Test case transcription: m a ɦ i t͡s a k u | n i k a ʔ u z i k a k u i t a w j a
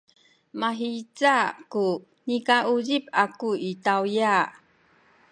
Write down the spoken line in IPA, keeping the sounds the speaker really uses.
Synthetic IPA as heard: m a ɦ i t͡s a k u | n i k a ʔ u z i p a k u i t a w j a